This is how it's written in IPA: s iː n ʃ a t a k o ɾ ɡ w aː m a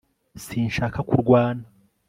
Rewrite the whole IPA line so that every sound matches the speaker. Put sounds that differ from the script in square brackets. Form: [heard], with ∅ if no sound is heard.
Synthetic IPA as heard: s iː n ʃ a [k] a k [u] ɾ ɡ w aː [n] a